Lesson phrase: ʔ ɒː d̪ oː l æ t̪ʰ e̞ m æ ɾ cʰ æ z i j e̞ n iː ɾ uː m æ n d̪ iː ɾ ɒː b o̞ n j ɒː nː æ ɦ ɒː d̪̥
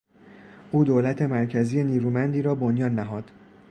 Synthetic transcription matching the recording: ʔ uː d̪ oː l æ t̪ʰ e̞ m æ ɾ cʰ æ z i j e̞ n iː ɾ uː m æ n d̪ iː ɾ ɒː b o̞ n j ɒː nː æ ɦ ɒː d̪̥